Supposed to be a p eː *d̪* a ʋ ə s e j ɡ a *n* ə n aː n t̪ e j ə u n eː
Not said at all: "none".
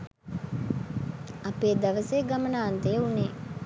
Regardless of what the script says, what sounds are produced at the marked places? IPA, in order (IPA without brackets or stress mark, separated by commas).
d̪, m